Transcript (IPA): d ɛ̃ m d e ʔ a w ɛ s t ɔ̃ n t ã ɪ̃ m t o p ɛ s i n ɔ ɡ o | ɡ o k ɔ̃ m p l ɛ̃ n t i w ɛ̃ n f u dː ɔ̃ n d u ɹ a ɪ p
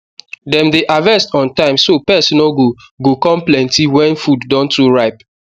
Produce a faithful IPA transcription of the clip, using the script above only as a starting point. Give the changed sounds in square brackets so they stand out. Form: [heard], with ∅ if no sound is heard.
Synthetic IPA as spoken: d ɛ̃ m d e ʔ a [v] ɛ s t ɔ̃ n t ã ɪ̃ m [s] o p ɛ s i n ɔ ɡ o | ɡ o k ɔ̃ m p l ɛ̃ n t i w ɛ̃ n f u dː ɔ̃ n [t] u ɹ a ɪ p